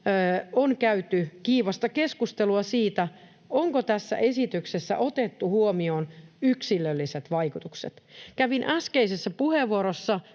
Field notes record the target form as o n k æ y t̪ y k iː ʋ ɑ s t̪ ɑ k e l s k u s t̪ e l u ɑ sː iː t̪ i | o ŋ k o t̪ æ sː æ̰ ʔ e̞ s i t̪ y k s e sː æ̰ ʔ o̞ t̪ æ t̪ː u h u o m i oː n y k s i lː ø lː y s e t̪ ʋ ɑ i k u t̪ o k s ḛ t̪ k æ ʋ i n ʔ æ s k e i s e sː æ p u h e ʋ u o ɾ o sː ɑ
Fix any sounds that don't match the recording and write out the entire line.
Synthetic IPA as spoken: o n k æ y t̪ y k iː ʋ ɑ s t̪ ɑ k e s k u s t̪ e l u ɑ s iː t̪ æ | o ŋ k o t̪ æ sː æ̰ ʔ e̞ s i t̪ y k s e sː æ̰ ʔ o̞ t̪ e t̪ː u h u o m i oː n y k s i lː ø lː i s e t̪ ʋ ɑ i k u t̪ u k s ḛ t̪ k æ ʋ i n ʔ æ s k e i s e sː æ p u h e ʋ u o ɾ o sː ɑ

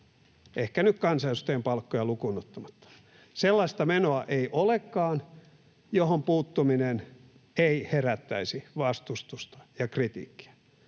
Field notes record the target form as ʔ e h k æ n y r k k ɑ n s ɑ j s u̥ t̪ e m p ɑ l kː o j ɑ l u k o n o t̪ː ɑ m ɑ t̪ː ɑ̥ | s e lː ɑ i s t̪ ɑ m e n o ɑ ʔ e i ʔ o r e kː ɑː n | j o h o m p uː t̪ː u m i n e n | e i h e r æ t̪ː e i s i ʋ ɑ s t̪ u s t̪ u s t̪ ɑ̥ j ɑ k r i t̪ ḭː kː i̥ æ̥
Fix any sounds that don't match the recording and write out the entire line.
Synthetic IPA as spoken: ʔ e h k æ n y k k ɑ n s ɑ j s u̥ t̪ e m p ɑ l kː o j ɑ l u k u n o t̪ː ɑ m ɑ t̪ː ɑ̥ | s e lː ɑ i s t̪ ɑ m e n o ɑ ʔ e i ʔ o l e kː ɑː n | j o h o m p uː t̪ː u m i n e n | e i h e r æ t̪ː æ i s i ʋ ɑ s t̪ u s t̪ u s t̪ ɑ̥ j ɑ k r i t̪ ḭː kː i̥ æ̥

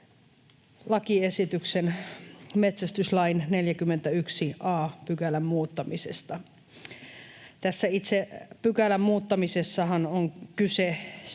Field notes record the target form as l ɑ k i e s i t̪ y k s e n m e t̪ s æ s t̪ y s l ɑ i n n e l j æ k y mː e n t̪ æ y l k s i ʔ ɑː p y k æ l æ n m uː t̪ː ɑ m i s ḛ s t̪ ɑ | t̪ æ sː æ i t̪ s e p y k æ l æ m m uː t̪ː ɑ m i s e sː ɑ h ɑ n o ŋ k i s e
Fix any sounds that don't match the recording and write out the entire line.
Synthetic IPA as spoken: l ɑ k i e s i t̪ y k s e n m e t̪ s æ s t̪ y s l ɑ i n n e l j æ k y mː e n t̪ æ y k s i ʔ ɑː p y k æ l æ m m uː t̪ː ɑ m i s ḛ s t̪ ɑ | t̪ æ sː æ i t̪ s e p y k æ l æ m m uː t̪ː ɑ m i s e sː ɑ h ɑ n o ŋ k y s e

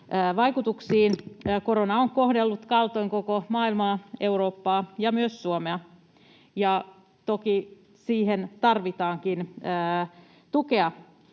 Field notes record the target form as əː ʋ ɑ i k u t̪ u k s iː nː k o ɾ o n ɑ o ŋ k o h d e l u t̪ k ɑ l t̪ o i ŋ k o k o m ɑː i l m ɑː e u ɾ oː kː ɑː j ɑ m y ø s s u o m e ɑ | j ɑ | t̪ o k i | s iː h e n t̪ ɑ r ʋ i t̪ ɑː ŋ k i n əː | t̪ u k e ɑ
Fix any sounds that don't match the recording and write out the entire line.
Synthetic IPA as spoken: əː ʋ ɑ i k u t̪ u k s iː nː k o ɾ o n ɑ o ŋ k o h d e lː u t̪ k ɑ l t̪ o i ŋ k o k o m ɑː i l m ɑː e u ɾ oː pː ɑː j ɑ m y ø s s u o m e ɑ | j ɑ | t̪ o k i | s iː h e n t̪ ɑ r ʋ i t̪ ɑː ŋ k i n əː | t̪ u k e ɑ

